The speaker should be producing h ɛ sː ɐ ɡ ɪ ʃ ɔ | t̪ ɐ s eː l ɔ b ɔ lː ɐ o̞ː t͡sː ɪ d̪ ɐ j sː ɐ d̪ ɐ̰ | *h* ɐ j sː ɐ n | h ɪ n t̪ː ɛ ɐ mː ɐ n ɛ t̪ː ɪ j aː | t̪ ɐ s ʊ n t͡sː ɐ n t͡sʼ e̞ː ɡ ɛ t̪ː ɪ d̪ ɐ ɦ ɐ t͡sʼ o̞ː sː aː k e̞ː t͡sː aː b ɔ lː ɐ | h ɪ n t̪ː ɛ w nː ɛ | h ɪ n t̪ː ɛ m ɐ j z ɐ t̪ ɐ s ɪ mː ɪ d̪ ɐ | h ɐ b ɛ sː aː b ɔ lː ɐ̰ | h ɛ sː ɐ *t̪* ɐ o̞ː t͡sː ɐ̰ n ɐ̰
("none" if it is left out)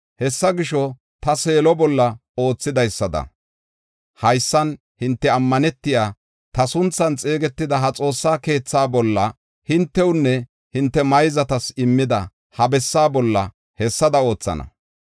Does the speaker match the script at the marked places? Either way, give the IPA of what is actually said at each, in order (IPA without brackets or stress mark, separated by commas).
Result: h, d̪